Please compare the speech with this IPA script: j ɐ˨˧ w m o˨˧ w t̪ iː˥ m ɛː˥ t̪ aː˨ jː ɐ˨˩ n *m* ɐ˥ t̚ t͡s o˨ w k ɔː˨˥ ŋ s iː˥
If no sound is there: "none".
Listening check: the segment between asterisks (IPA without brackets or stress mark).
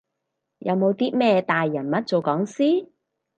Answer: m